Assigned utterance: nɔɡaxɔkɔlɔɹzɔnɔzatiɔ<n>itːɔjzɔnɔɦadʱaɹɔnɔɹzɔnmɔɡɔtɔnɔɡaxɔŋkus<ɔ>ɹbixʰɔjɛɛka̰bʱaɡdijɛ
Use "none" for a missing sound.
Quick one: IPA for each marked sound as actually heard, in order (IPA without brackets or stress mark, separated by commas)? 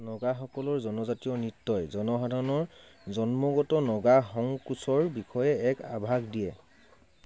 n, ɔ